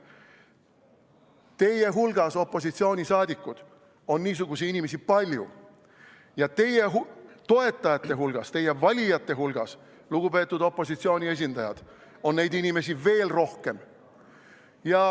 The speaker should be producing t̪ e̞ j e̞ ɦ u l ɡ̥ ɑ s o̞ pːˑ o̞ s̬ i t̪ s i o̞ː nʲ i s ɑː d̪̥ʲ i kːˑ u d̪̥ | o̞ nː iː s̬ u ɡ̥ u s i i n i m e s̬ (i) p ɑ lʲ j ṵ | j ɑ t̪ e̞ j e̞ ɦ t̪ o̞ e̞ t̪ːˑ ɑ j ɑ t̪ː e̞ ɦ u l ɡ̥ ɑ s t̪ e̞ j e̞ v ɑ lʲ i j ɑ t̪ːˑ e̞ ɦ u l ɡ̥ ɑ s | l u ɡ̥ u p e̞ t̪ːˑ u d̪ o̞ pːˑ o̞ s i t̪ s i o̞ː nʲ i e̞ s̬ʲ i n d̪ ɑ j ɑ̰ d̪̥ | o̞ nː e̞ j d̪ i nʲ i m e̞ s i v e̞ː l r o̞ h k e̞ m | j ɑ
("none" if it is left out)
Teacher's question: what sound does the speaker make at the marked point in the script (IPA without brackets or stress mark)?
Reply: i